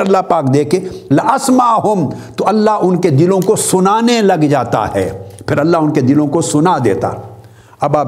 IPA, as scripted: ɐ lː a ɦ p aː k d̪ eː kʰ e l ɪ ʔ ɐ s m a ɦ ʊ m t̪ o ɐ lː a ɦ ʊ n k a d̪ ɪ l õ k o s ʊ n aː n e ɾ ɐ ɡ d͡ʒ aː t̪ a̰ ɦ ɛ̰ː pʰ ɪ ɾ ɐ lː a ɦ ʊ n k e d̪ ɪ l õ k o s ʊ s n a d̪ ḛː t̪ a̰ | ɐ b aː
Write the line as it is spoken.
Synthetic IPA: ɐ lː a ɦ p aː k d̪ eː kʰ e l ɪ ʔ ɐ s m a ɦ ʊ m t̪ o ɐ lː a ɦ ʊ n k e d̪ ɪ l õ k o s ʊ n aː n e l ɐ ɡ d͡ʒ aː t̪ a̰ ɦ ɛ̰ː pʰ ɪ ɾ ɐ lː a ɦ ʊ n k e d̪ ɪ l õ k o s ʊ n a d̪ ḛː t̪ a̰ | ɐ b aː